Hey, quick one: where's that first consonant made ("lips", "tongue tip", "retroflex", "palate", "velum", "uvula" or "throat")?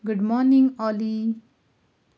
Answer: velum